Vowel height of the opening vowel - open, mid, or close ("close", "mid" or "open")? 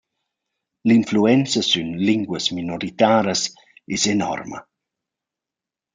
close